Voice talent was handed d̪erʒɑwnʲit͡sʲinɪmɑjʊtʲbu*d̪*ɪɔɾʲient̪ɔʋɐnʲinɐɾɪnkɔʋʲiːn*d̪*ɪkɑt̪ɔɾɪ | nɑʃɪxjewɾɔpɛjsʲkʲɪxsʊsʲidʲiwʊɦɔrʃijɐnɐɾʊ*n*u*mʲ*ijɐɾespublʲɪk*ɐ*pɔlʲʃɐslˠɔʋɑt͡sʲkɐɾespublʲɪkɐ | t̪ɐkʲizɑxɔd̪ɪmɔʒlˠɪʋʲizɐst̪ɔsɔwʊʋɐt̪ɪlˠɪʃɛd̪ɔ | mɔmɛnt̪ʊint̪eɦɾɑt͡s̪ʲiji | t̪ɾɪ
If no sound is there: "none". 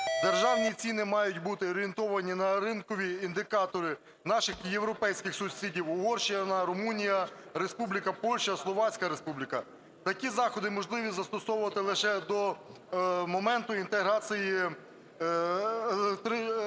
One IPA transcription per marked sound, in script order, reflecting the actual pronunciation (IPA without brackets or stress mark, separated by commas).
t̪, d̪, m, nʲ, ɐ